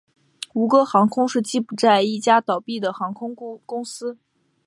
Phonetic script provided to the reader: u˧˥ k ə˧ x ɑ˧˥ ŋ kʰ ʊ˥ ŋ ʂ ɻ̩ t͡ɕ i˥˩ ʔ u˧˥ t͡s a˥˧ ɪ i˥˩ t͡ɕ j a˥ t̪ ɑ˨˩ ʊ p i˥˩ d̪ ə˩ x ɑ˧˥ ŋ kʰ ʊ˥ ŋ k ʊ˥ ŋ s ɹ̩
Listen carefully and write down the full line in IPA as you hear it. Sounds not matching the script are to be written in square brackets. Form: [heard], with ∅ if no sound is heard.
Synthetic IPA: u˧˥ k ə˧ x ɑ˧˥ ŋ kʰ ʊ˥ ŋ ʂ ɻ̩ t͡ɕ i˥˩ [p] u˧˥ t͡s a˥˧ ɪ i˥˩ t͡ɕ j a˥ t̪ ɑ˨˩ ʊ p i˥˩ d̪ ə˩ x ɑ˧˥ ŋ kʰ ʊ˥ ŋ k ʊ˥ ŋ s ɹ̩